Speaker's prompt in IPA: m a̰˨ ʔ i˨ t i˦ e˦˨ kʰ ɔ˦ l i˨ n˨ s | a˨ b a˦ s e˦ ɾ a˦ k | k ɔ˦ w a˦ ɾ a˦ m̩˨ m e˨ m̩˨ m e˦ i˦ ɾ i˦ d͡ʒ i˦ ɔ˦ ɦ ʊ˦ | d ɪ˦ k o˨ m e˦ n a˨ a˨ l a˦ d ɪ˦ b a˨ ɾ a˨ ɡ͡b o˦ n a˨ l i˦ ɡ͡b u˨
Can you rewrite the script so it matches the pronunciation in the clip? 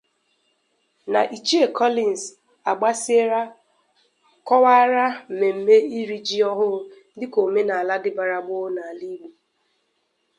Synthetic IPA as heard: n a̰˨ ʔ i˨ t͡ʃ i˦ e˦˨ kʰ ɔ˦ l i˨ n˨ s | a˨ ɡ͡b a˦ s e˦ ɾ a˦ | k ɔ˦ w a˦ ɾ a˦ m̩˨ m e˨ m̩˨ m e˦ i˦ ɾ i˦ d͡ʒ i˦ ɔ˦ ɦ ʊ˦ | d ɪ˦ k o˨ m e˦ n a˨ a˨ l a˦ d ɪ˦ b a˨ ɾ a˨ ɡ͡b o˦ n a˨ l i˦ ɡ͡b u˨

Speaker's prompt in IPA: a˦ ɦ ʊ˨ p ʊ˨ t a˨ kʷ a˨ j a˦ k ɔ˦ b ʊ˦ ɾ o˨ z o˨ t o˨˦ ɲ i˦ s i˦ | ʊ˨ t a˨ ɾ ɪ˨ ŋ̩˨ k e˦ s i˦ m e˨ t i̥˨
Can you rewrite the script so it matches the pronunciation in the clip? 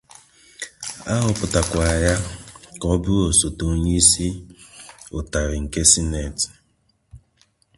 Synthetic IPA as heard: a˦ ɦ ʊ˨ p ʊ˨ t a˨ kʷ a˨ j a˦ k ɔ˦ b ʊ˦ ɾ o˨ s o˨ t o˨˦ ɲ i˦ s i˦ | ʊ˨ t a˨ ɾ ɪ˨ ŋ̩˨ k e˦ s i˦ n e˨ t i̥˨

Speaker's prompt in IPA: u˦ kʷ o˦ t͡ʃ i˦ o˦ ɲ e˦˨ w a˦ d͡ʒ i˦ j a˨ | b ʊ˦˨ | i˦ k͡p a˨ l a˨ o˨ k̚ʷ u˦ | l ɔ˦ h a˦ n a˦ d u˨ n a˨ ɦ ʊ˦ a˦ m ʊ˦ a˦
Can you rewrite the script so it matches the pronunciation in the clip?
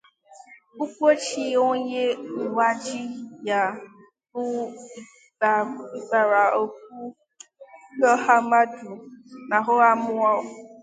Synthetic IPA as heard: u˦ kʷ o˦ t͡ʃ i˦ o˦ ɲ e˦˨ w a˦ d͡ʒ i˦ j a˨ | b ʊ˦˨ | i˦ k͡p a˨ ɾ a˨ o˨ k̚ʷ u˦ | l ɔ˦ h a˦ m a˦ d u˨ n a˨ ɦ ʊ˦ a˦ m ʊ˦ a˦

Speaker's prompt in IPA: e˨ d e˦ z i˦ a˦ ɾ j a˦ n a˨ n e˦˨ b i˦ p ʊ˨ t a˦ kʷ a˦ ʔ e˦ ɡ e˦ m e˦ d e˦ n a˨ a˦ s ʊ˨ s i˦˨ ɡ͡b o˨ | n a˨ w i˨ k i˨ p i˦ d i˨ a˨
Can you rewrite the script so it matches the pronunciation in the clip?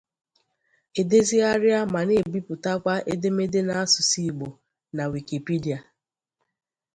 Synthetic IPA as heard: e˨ d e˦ z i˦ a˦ ɾ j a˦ m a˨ n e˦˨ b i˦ p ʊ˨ t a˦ kʷ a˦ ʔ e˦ d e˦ m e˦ d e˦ n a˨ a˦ s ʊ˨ s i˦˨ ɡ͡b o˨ | n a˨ w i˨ k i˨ p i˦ d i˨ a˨

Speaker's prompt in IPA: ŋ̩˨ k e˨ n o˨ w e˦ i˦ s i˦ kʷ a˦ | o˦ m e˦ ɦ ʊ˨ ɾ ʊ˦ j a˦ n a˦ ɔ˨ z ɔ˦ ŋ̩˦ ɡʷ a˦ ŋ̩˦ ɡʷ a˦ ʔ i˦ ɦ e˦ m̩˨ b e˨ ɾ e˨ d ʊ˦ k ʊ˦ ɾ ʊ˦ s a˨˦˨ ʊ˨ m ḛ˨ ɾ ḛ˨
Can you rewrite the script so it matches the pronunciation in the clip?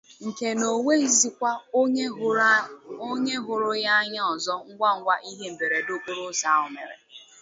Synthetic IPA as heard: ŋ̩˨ k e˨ n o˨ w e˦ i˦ z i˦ kʷ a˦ | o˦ ɲ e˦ ɦ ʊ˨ ɾ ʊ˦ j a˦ ɲ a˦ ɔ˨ z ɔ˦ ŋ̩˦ ɡʷ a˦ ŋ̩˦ ɡʷ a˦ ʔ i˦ ɦ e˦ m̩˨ b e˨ ɾ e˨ d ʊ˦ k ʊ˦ ɾ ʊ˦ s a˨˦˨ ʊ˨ m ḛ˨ ɾ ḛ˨

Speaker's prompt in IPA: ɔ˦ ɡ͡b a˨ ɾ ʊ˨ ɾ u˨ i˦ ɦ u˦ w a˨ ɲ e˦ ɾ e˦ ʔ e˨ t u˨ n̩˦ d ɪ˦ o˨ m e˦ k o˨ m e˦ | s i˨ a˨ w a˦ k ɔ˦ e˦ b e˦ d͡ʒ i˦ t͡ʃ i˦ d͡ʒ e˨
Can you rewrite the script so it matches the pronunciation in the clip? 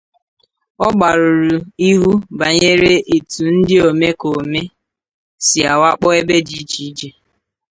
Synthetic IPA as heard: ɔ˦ ɡ͡b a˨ ɾ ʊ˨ ɾ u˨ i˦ ɦ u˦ b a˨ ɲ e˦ ɾ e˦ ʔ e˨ t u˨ n̩˦ d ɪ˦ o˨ m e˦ k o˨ m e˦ | s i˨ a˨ w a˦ k͡p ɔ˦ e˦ b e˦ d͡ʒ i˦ t͡ʃ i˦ d͡ʒ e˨

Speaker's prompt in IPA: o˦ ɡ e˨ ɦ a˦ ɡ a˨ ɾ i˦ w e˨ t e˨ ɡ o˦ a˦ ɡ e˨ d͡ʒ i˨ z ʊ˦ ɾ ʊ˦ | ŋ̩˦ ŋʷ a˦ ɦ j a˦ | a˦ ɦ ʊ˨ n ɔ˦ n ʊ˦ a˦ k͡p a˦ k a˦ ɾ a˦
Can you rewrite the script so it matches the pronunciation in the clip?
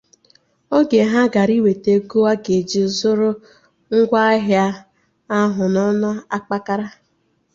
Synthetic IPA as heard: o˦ ɡ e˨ ɦ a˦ ɡ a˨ ɾ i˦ w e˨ t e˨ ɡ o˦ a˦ ɡ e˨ d͡ʒ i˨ z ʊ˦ ɾ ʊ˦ | ŋ̩˦ ɡʷ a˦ ɦ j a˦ | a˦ ɦ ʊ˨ n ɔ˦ n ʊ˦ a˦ k͡p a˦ k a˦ ɾ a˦

